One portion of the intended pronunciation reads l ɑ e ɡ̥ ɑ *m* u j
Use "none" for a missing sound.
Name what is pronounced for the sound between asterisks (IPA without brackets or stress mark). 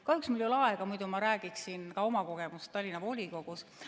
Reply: m